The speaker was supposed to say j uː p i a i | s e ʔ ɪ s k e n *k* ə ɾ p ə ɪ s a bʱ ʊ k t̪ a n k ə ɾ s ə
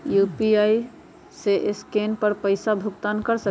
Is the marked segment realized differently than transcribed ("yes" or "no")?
yes